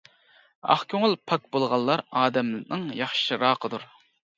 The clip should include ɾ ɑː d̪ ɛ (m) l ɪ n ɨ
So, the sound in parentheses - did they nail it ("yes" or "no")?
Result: yes